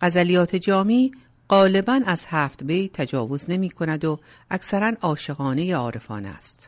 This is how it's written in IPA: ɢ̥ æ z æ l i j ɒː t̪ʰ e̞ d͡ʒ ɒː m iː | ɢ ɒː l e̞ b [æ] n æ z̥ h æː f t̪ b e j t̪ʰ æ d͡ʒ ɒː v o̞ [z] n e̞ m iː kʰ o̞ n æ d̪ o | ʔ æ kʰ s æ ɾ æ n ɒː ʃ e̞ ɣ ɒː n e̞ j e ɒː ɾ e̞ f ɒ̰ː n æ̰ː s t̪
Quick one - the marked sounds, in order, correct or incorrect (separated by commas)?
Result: correct, correct